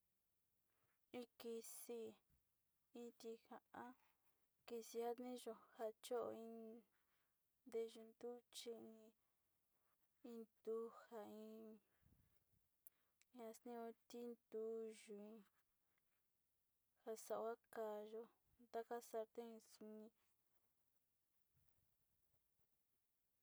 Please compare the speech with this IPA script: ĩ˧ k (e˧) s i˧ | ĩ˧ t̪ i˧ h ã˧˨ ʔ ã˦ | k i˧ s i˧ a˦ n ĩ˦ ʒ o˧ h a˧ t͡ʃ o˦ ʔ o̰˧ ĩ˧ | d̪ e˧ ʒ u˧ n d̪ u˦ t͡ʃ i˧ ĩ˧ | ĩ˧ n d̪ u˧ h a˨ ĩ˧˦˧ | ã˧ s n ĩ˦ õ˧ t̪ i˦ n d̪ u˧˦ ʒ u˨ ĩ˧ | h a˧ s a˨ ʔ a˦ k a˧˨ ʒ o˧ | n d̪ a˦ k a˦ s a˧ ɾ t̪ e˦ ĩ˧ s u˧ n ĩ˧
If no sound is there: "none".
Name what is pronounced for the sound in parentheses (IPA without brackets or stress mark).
i˧